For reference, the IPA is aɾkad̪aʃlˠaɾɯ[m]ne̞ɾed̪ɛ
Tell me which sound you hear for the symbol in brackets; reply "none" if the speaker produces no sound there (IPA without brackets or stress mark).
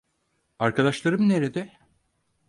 m